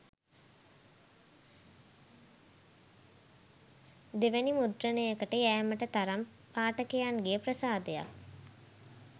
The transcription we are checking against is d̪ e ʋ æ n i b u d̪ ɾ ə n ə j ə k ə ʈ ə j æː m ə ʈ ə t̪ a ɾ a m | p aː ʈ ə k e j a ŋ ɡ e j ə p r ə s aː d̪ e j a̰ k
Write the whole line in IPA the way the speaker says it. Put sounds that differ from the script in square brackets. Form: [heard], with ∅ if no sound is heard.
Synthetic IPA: d̪ e ʋ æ n i [m] u d̪ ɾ ə n ə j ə k ə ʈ ə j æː m ə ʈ ə t̪ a ɾ a m | p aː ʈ ə k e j a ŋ ɡ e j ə p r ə s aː d̪ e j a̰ k